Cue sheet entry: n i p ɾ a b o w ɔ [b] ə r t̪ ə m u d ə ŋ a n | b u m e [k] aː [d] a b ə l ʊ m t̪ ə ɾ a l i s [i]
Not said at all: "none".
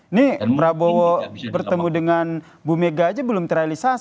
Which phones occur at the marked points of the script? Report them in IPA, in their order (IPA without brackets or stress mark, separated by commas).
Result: b, ɡ, d͡ʒ, a